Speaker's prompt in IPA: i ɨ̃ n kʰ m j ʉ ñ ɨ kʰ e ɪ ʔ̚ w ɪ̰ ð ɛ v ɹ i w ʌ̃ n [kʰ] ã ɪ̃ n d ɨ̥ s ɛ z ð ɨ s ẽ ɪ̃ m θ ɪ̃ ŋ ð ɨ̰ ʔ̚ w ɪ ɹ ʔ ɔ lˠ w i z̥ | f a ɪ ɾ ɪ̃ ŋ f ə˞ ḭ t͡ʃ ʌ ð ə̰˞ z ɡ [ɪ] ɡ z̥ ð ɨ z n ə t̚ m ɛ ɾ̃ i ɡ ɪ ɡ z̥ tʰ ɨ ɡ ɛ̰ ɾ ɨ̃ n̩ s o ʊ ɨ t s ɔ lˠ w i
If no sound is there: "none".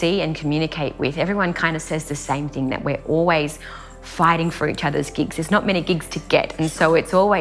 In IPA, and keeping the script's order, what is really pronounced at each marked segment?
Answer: kʰ, ɪ

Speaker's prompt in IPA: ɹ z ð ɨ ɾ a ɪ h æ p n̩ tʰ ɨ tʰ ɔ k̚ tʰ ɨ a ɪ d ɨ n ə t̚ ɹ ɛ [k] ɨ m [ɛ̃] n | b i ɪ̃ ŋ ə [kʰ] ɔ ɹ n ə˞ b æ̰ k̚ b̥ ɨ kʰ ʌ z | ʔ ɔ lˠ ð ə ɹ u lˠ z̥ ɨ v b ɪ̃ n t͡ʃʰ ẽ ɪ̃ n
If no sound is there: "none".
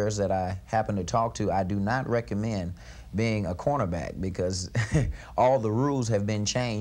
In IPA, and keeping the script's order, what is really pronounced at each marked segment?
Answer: k, ɛ̃, kʰ

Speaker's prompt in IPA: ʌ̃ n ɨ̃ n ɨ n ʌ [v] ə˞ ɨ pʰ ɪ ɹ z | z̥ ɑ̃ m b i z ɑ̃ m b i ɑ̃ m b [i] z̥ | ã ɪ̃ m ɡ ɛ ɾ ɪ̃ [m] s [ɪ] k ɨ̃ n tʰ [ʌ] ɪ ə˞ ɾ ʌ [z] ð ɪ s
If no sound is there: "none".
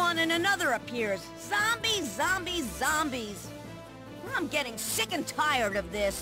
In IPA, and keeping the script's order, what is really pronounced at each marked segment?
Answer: ð, i, ŋ, ɪ, a, v

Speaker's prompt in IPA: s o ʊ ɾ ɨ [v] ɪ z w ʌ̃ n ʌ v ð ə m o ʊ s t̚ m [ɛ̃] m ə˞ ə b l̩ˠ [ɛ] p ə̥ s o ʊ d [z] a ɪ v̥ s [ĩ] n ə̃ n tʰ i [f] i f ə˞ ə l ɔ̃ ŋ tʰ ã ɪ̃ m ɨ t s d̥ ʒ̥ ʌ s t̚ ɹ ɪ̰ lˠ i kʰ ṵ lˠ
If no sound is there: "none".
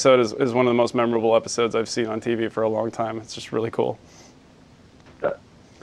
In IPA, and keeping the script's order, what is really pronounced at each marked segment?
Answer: z, ɛ, ɛ, z, ĩ, v

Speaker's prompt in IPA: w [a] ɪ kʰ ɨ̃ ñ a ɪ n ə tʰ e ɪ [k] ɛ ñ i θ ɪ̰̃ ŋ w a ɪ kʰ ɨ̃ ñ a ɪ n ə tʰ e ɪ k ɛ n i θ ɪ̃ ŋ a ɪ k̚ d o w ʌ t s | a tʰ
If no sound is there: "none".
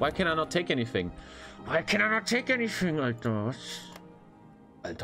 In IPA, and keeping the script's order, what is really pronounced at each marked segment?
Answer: a, k

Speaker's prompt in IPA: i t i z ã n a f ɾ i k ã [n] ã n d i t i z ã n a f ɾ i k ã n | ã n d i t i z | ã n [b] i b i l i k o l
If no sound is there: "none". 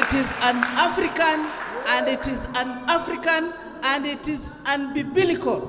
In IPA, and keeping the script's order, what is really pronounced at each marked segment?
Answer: n, b

